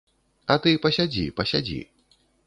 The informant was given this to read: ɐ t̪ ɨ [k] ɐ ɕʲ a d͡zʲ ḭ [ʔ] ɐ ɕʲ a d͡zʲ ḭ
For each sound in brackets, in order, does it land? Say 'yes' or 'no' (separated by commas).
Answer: no, no